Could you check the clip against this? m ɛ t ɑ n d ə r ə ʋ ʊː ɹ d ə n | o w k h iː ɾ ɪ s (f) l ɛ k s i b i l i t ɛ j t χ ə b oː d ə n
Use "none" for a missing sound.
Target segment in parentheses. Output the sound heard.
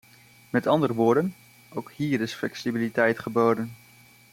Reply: f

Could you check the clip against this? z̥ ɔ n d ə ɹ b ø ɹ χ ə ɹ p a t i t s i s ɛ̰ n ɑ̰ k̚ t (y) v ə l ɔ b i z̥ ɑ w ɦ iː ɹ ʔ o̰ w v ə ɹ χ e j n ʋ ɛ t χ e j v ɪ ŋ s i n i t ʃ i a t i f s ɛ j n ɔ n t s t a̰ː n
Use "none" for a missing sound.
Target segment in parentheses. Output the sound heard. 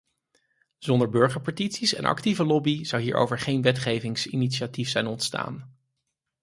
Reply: i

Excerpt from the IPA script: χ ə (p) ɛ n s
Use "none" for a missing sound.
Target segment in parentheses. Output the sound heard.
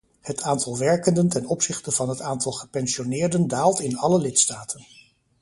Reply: p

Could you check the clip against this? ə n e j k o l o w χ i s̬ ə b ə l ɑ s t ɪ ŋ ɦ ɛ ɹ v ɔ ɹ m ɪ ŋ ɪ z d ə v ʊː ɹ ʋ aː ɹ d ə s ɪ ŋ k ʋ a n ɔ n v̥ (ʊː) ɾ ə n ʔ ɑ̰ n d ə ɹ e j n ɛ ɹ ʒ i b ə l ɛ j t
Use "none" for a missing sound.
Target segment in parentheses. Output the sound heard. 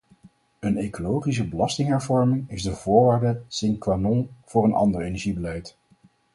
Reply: ʊː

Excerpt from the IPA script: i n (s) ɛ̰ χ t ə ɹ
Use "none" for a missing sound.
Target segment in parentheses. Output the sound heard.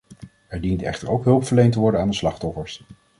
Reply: t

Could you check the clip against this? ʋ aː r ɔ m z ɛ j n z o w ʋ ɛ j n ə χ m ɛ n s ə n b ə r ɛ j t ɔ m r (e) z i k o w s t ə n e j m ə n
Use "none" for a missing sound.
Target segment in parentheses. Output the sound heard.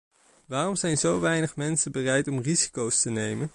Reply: i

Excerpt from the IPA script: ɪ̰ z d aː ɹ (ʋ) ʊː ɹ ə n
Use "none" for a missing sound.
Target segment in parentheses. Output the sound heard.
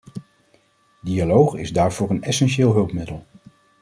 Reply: v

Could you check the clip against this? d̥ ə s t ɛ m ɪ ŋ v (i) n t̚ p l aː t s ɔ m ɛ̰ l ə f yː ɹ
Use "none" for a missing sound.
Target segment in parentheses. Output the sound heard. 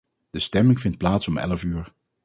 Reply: ɪ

